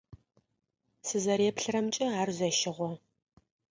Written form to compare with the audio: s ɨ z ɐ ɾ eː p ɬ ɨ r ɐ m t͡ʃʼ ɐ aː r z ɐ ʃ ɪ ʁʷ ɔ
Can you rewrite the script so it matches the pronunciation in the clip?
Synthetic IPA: s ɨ z ɐ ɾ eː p ɬ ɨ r ɐ m t͡ʃʼ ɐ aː r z ɐ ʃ ɪ ʁʷ ɔ